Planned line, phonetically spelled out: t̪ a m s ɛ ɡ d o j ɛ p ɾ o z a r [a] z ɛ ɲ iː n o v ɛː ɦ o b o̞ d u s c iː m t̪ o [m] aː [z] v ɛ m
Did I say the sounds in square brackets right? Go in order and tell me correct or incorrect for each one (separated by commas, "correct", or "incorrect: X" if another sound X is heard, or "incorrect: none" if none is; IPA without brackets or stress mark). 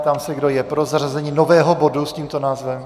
correct, incorrect: n, correct